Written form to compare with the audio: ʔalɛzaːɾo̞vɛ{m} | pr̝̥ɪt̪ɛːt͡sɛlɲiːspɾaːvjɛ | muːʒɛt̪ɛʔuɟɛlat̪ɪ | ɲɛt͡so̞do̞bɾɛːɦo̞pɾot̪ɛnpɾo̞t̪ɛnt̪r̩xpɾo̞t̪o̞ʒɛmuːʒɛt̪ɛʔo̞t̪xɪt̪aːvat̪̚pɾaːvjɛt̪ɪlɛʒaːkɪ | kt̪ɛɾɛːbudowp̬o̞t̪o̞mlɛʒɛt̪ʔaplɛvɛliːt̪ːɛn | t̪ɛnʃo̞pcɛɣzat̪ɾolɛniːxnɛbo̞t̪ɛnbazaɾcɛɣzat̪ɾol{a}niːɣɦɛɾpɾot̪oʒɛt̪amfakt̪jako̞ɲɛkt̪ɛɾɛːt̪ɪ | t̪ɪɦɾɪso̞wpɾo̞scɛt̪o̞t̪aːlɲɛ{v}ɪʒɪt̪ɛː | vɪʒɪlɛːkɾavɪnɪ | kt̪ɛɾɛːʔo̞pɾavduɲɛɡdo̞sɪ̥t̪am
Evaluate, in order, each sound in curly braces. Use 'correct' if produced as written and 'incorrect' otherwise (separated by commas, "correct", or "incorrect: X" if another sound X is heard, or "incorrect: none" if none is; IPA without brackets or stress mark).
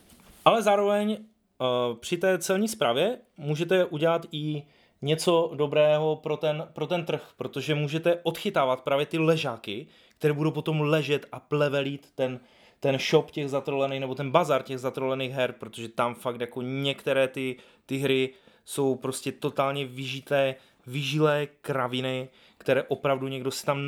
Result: incorrect: ɲ, incorrect: ɛ, correct